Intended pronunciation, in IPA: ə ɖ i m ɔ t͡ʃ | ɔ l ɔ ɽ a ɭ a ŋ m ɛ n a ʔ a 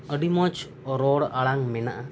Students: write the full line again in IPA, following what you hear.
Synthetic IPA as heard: ə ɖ i m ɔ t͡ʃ | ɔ ɾ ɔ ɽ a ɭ a ŋ m ɛ n a ʔ a